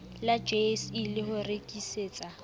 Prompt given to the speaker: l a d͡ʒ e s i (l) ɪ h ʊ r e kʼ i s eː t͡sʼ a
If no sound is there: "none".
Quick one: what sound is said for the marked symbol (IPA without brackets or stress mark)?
l